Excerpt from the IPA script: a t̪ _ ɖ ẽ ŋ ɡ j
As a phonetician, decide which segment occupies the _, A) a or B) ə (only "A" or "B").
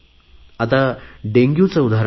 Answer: A